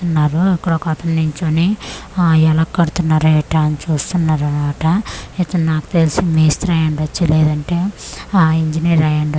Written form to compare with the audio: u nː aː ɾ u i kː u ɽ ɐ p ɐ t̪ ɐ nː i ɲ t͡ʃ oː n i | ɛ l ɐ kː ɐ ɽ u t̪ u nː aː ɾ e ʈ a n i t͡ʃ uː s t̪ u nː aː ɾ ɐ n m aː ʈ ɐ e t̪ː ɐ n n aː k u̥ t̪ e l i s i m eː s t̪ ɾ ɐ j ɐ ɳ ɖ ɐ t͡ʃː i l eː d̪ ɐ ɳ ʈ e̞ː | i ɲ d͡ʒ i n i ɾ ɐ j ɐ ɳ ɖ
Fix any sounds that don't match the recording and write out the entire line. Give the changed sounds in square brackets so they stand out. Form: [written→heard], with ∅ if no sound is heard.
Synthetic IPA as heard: u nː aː ɾ u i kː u ɽ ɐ [p→k] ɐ t̪ ɐ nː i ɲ t͡ʃ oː n i | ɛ l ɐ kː ɐ ɽ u t̪ u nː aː ɾ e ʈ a n i t͡ʃ uː s t̪ u nː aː ɾ ɐ n m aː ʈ ɐ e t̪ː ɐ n n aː k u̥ t̪ e l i s i m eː s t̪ ɾ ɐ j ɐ ɳ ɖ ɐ t͡ʃː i l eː d̪ ɐ ɳ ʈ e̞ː | i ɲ d͡ʒ i n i ɾ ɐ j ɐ ɳ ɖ